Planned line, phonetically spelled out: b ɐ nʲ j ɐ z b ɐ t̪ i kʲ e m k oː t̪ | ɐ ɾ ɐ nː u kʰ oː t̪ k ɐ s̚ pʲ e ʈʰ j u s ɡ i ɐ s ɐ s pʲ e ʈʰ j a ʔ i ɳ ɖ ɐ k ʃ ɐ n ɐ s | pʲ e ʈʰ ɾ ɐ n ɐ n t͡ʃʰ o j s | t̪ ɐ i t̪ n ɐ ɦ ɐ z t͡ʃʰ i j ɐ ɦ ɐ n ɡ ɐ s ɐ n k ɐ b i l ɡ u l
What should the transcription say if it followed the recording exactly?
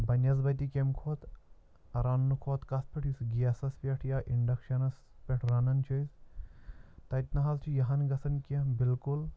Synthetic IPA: b ɐ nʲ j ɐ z b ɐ t̪ i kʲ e m kʰ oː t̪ | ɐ ɾ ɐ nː u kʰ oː t̪ k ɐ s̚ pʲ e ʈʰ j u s ɡ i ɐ s ɐ s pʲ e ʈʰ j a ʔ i ɳ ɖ ɐ k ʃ ɐ n ɐ s | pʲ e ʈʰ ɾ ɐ n ɐ n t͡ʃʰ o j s | t̪ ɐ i t̪ n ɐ ɦ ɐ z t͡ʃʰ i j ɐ ɦ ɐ n ɡ ɐ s ɐ n k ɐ b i l k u l

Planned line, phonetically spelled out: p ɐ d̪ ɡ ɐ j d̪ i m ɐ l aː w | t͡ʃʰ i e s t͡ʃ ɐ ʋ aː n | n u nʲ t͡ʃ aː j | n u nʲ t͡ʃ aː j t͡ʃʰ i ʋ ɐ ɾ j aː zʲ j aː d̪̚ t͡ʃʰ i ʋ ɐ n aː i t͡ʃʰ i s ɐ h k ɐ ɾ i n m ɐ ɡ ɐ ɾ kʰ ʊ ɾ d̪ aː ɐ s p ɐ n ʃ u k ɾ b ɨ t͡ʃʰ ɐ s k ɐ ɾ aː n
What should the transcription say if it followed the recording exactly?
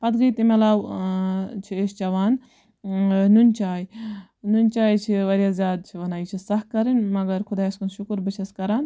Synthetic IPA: p ɐ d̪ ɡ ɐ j t̪ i m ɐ l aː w | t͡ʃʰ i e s t͡ʃ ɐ ʋ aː n | n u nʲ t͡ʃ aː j | n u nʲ t͡ʃ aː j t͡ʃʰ i ʋ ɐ ɾ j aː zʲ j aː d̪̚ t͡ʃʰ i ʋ ɐ n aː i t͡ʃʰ i s ɐ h k ɐ ɾ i n m ɐ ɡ ɐ ɾ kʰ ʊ d̪ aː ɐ s k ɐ n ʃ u k ɾ b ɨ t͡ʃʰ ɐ s k ɐ ɾ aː n

